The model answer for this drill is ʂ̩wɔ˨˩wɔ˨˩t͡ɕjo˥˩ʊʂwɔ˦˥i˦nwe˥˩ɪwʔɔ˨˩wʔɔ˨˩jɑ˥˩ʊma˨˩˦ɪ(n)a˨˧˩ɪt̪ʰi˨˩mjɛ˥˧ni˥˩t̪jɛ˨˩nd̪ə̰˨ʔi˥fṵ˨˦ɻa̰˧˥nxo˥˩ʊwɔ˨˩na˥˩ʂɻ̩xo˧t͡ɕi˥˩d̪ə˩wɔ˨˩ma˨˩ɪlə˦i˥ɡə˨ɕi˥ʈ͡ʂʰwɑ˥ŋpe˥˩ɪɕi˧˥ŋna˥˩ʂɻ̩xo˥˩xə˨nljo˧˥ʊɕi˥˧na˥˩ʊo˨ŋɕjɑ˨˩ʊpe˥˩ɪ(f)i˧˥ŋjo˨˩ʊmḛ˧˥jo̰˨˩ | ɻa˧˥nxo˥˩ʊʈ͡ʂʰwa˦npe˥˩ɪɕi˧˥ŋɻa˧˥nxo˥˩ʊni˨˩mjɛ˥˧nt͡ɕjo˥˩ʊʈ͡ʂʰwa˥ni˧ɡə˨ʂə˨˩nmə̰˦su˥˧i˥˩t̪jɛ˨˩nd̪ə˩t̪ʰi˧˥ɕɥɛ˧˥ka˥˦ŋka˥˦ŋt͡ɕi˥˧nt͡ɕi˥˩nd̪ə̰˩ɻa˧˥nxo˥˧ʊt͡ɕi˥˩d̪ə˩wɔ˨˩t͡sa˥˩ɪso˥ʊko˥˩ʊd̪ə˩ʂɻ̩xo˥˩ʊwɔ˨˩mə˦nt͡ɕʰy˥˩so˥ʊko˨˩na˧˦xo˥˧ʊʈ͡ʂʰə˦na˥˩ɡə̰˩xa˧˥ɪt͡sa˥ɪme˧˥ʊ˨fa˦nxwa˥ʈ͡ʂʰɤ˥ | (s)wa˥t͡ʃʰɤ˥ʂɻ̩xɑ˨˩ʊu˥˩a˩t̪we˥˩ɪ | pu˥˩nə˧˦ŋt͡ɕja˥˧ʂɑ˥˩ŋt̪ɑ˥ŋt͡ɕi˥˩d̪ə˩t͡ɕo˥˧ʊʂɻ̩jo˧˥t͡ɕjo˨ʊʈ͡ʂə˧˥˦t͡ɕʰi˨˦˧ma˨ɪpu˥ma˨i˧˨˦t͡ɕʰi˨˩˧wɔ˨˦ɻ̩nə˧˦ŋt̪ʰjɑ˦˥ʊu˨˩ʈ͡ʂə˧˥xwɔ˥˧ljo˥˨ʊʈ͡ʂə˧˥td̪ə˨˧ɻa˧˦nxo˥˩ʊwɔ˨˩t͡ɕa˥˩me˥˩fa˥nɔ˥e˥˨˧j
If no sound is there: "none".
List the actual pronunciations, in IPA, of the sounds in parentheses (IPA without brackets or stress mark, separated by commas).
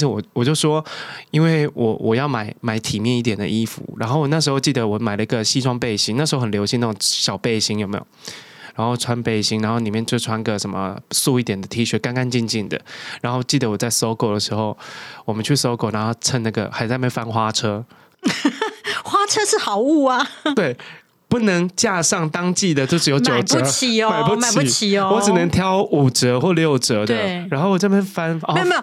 m, ɕ, x